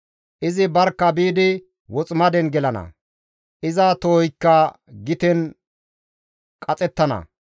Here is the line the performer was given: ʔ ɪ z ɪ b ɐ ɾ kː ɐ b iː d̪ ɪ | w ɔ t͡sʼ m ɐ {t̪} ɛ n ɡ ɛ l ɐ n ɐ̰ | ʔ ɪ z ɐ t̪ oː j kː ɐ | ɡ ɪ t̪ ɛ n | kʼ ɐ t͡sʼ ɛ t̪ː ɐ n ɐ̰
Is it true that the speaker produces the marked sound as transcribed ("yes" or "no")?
no